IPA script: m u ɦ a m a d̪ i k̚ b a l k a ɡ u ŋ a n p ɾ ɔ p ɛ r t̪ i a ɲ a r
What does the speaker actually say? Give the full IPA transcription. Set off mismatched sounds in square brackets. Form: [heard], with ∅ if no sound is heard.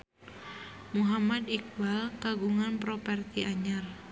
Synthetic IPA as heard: m u ɦ a m a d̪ i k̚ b a l k a ɡ u ŋ a n p ɾ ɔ p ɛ r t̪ i a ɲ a r